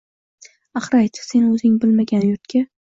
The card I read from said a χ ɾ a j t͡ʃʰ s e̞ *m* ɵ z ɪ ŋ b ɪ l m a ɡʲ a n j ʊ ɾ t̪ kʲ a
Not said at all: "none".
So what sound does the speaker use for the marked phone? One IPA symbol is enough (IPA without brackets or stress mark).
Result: n